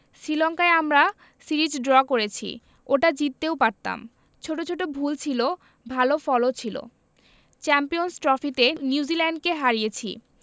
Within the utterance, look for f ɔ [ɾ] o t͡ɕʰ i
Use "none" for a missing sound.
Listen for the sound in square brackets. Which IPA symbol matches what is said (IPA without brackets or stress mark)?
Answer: l